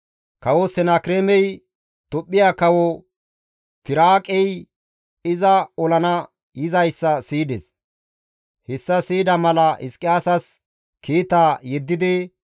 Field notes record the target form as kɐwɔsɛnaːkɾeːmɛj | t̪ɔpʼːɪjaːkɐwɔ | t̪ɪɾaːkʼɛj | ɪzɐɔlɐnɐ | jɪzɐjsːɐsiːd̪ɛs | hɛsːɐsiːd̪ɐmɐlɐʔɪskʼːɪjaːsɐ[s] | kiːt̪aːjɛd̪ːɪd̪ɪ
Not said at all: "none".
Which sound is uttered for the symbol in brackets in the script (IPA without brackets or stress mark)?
s